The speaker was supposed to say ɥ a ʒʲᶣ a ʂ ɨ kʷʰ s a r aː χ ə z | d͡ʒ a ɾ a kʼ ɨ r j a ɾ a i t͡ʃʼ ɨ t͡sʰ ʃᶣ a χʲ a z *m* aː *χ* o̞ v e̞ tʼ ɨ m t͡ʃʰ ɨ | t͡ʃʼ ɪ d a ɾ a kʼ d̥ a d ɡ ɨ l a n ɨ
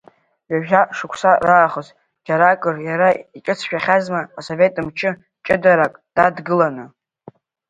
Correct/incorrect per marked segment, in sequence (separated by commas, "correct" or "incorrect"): correct, incorrect